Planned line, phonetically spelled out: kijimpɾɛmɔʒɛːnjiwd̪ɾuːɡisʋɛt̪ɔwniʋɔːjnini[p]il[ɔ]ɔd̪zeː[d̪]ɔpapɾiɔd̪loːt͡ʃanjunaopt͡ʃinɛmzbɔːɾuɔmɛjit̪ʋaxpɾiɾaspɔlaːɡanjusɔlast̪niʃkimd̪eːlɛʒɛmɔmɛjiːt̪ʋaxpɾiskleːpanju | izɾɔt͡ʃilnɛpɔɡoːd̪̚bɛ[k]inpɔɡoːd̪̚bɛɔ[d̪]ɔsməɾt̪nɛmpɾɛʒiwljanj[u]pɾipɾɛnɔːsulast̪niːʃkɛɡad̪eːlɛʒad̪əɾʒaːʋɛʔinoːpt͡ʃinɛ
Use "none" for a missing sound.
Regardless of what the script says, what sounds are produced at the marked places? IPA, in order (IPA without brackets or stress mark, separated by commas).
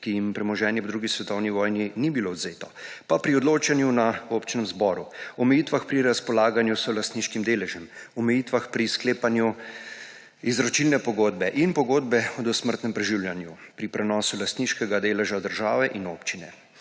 b, o, t̪, ʔ, d̪, u